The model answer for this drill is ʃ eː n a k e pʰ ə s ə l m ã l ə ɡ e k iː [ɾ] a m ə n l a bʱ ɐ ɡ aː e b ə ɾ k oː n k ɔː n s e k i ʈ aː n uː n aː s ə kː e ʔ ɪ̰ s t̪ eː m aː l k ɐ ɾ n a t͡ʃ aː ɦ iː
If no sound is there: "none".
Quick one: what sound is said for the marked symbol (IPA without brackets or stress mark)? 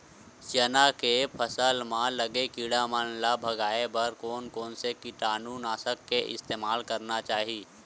ɽ